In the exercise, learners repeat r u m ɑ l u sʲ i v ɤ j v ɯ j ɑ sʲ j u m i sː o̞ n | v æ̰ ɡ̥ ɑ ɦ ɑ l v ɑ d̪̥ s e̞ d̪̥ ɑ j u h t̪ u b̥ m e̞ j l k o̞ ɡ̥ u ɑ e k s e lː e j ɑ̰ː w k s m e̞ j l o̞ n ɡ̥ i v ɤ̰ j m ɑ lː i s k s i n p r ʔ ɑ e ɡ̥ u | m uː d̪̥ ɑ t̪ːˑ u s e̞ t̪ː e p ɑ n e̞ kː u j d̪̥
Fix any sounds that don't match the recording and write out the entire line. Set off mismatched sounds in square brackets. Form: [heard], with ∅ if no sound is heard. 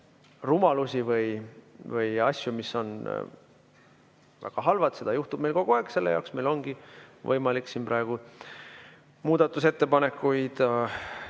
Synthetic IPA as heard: r u m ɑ l u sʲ i v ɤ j v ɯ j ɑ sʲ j u m i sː o̞ n | v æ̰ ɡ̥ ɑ ɦ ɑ l v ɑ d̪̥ s e̞ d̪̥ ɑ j u h t̪ u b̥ m e̞ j l k o̞ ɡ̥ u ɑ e k s e lː e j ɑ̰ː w k s m e̞ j l o̞ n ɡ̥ i v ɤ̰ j m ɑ [l] i [∅] k s i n p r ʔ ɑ e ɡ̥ u | m uː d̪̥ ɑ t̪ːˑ u s e̞ t̪ː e p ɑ n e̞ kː u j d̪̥